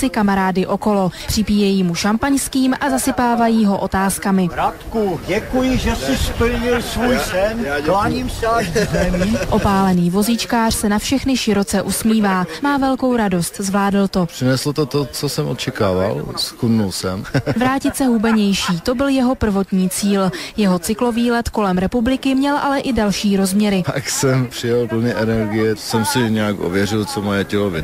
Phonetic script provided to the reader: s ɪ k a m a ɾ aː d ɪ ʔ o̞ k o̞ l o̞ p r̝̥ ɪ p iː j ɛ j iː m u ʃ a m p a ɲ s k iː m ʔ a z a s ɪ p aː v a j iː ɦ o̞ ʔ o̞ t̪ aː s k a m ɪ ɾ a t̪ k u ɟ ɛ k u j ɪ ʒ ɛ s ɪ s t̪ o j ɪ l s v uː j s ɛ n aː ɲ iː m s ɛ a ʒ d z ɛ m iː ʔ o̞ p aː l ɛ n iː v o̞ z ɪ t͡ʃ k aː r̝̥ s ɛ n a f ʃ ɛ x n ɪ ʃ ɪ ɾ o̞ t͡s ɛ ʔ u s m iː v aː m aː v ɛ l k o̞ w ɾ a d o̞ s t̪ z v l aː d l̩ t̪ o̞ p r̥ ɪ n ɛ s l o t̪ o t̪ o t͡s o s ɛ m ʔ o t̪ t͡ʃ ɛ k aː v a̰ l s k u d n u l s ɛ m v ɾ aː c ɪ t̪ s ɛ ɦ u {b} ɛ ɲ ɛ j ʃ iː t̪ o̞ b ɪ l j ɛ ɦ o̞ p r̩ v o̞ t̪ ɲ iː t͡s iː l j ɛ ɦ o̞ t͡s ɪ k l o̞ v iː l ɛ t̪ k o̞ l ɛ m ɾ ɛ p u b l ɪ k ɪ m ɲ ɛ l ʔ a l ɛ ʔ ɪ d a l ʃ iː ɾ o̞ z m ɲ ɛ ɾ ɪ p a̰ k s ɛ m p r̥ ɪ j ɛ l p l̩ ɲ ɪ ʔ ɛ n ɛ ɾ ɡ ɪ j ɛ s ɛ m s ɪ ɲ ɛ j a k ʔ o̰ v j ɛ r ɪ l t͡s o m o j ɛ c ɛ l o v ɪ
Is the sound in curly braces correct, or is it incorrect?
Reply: correct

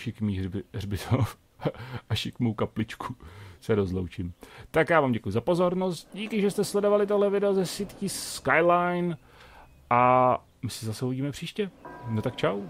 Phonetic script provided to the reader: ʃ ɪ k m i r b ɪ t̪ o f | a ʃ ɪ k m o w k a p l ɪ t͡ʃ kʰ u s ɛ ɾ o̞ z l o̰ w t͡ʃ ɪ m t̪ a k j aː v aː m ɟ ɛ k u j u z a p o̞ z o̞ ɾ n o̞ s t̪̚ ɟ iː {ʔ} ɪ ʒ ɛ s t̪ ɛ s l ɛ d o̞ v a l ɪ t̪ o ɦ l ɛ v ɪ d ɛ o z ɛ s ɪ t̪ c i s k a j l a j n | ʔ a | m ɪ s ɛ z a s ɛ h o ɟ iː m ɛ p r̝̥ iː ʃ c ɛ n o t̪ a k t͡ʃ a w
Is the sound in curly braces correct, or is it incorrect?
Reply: incorrect: k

